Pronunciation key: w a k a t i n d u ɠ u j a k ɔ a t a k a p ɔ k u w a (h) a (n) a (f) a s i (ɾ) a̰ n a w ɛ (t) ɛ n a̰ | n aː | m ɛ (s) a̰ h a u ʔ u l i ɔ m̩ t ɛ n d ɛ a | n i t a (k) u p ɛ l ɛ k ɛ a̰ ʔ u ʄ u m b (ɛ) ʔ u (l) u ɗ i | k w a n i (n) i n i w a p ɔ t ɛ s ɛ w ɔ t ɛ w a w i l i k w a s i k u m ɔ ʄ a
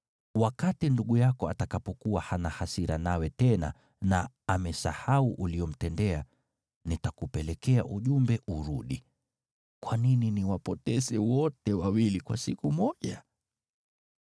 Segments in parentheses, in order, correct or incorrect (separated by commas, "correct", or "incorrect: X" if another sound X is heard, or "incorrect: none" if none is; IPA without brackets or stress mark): correct, correct, incorrect: h, correct, correct, correct, correct, correct, incorrect: ɾ, correct